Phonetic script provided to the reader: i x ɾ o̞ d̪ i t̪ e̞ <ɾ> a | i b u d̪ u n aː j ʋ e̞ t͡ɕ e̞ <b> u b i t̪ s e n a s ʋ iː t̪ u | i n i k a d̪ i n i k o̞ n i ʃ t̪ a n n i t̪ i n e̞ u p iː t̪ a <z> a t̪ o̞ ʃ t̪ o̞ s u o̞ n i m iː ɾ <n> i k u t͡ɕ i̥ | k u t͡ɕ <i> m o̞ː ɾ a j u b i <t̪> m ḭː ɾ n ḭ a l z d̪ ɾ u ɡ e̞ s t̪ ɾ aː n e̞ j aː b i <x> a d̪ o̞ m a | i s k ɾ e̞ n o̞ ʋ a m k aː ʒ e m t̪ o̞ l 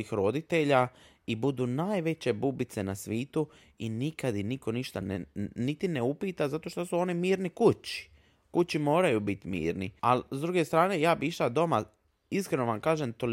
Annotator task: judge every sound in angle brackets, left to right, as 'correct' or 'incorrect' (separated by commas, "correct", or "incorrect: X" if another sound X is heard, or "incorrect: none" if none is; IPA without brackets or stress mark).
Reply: incorrect: ʎ, correct, correct, correct, correct, correct, incorrect: ʃ